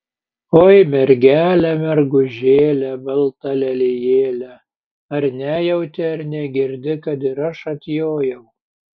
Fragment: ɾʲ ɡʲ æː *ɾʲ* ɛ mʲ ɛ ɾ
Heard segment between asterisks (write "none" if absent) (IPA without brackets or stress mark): lʲ